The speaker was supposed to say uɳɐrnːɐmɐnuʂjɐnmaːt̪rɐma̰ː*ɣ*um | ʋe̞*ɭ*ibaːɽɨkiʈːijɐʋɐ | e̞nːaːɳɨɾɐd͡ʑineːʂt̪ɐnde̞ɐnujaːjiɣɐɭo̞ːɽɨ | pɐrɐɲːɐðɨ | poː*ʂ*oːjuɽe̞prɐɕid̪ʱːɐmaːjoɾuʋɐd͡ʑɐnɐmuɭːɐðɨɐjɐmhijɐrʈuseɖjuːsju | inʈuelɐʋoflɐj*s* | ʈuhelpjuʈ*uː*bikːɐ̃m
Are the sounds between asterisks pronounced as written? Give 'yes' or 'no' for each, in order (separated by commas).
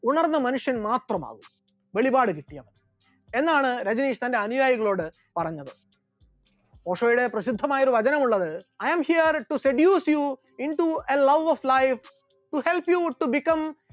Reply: yes, yes, yes, no, no